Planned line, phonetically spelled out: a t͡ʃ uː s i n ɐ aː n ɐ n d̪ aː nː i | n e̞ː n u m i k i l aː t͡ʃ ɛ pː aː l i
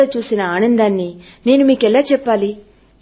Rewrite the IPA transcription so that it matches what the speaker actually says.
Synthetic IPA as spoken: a t͡ʃ uː s i n ɐ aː n ɐ n d̪ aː nː i | n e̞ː n u m iː k ɛ l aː t͡ʃ ɛ pː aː l i